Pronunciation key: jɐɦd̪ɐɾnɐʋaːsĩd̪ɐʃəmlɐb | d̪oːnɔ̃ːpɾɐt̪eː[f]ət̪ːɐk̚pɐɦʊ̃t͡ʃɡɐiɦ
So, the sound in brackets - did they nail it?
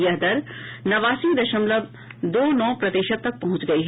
no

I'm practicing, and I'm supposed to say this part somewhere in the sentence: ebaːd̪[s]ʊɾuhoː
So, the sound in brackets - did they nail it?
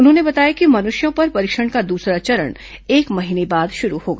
no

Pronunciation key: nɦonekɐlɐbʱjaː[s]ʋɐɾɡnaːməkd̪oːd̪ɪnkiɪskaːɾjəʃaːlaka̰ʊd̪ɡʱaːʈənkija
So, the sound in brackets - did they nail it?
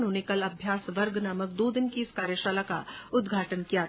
yes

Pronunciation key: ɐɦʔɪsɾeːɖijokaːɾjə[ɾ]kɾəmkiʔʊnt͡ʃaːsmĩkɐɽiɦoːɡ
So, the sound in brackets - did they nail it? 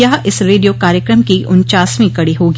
no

